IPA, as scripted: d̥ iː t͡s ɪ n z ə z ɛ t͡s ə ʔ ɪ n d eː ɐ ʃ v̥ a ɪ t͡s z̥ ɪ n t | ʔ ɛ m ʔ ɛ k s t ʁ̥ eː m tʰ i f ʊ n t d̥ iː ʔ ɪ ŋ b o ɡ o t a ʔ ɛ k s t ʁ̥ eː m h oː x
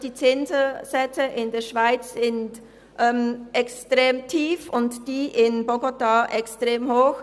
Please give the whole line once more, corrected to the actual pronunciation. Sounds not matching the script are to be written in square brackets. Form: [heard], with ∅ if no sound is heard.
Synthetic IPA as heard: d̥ iː t͡s ɪ n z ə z ɛ t͡s ə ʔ ɪ n d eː ɐ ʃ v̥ a ɪ t͡s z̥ ɪ n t | ʔ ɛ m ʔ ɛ k s t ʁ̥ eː m tʰ [iː] f ʊ n t d̥ iː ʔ ɪ [n] b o ɡ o t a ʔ ɛ k s t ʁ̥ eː m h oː x